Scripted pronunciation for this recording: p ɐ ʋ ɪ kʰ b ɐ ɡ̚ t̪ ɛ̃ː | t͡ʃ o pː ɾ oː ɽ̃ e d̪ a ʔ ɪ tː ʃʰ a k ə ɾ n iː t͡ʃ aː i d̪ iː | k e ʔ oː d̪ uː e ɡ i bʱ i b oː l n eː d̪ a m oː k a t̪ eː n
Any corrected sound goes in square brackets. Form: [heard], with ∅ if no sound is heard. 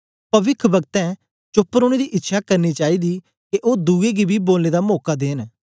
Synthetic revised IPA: p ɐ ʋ ɪ kʰ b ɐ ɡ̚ t̪ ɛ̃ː | t͡ʃ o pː ɾ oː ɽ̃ e d̪ [i] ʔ ɪ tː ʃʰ a k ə ɾ n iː t͡ʃ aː i d̪ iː | k e ʔ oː d̪ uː e ɡ i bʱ i b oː l n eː d̪ a m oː k a [d̪] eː n